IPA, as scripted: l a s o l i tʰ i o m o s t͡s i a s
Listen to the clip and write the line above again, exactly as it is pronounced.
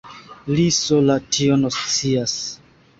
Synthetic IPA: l i s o l a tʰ i o n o s t͡s i a s